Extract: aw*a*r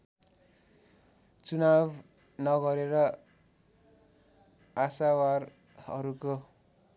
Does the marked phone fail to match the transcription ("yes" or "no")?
no